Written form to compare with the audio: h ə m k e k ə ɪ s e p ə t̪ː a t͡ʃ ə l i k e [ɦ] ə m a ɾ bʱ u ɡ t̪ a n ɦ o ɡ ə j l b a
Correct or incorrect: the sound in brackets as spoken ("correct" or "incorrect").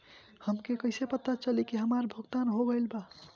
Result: correct